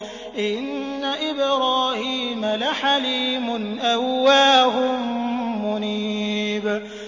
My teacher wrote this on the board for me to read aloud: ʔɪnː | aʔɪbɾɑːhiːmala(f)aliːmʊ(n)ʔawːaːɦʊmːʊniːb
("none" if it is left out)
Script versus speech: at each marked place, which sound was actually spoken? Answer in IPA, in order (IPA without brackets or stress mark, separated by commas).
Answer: ħ, n